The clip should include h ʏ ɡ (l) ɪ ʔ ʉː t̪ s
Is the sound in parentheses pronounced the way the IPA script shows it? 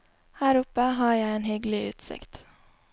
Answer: yes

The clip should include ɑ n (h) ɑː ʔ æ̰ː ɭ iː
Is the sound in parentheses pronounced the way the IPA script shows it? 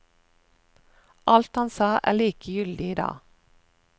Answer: no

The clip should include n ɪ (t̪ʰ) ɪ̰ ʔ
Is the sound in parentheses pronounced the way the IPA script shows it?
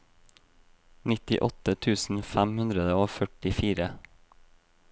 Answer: no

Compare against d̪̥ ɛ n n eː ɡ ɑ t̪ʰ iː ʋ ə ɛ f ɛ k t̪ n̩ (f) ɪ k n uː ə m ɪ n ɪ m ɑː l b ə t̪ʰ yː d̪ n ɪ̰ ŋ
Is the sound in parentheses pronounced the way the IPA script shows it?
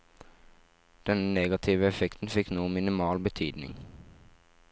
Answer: yes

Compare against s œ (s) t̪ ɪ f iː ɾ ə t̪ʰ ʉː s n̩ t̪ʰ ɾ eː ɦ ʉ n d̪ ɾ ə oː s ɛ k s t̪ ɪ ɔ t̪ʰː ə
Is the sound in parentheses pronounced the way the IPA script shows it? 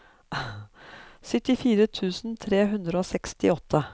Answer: no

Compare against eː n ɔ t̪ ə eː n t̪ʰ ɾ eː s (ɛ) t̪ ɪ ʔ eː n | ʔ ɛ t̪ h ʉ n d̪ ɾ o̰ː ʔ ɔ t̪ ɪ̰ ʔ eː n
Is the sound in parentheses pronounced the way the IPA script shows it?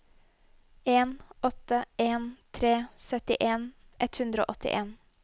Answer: no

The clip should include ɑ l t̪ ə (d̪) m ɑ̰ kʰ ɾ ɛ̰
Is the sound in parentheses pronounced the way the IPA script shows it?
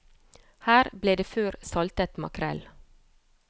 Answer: no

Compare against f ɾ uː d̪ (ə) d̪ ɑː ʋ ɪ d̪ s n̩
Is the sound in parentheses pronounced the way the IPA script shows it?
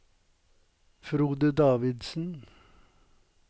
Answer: yes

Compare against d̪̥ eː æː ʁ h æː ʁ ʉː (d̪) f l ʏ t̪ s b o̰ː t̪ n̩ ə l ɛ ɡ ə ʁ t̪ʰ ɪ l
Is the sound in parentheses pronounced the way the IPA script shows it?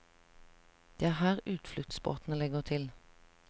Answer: no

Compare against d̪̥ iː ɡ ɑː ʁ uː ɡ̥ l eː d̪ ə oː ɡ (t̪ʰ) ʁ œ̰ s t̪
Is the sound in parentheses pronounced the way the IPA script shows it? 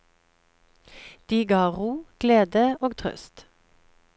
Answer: yes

